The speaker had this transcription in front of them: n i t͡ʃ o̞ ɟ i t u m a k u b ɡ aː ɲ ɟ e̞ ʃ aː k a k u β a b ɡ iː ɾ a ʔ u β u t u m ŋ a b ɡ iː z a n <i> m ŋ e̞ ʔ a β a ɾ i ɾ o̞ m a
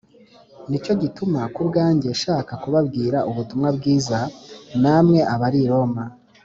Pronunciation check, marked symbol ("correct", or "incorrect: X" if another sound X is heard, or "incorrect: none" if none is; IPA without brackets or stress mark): incorrect: a